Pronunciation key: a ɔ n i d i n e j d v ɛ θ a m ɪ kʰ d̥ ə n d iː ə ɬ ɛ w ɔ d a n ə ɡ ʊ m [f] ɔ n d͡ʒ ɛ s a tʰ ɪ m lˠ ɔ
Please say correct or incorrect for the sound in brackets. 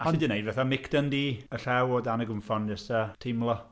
correct